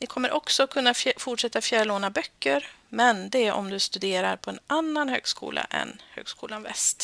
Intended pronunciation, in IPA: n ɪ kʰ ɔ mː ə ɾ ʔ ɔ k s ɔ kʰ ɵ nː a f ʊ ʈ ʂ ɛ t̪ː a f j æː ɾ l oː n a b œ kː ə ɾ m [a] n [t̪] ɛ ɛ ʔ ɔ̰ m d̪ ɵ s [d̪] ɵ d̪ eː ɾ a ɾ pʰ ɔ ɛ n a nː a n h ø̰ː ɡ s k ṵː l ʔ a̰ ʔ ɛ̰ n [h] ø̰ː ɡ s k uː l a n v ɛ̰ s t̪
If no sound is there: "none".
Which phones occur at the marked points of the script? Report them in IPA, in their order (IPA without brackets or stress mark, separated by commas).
ɛ, d̪, t̪, h